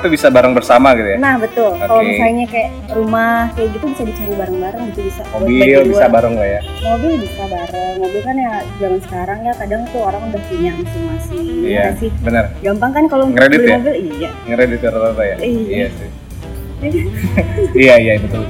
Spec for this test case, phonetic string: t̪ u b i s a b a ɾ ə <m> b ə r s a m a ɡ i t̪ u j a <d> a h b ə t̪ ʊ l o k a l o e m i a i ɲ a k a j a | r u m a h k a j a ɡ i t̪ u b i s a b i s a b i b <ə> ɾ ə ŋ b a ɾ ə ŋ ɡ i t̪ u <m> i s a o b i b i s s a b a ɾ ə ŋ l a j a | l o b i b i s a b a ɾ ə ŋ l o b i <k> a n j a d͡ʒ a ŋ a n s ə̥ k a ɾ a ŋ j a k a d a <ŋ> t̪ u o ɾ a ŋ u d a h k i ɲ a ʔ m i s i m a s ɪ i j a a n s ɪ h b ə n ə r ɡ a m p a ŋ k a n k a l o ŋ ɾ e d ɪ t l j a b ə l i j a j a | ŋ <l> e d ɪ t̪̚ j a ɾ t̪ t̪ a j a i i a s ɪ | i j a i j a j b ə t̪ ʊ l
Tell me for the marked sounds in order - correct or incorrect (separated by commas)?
incorrect, incorrect, incorrect, incorrect, correct, correct, incorrect